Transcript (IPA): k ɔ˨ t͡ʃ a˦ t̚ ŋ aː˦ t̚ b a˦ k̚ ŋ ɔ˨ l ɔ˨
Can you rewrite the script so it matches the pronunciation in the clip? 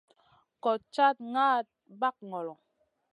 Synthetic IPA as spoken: k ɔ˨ t͡ʃ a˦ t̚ ŋ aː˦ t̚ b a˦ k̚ ŋ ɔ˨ l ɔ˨